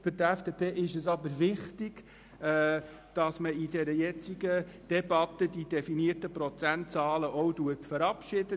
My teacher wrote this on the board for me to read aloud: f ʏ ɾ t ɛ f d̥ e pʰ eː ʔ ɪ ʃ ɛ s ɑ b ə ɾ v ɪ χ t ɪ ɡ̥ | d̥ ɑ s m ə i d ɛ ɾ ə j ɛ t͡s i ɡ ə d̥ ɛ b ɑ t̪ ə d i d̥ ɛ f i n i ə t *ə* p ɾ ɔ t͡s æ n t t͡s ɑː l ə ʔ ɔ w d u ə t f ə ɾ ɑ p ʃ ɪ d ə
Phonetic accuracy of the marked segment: correct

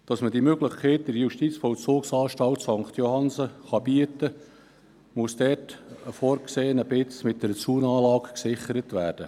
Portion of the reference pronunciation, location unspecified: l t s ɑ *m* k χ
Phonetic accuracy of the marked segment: incorrect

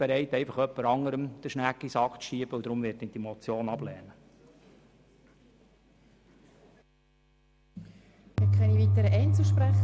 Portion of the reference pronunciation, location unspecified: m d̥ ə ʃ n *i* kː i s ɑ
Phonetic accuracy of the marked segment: incorrect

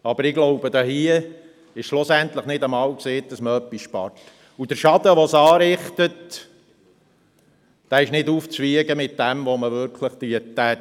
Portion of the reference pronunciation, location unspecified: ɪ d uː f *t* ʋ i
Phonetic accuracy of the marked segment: incorrect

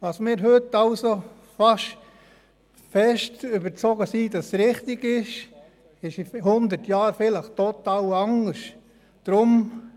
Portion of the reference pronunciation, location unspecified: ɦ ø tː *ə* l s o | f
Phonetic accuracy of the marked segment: incorrect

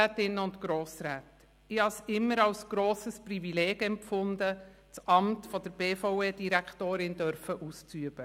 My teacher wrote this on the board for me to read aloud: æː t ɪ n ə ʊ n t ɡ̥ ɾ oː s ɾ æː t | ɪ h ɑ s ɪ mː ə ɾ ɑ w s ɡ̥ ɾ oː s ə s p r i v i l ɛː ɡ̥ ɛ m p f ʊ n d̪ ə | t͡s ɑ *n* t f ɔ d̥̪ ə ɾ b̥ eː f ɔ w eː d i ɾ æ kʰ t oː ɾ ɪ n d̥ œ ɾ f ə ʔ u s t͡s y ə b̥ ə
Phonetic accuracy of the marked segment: incorrect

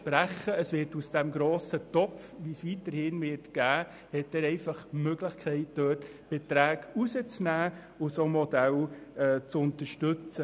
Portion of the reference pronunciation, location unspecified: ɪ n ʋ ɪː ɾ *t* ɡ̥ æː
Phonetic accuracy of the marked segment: correct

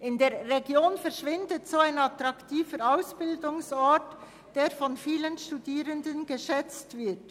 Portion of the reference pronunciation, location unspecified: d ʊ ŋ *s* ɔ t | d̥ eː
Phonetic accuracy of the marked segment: correct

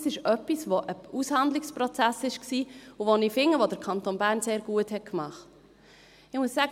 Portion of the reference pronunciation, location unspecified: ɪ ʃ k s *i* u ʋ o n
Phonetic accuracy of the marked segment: incorrect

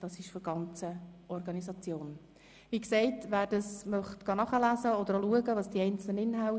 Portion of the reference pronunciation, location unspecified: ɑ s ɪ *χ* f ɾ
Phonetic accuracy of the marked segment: incorrect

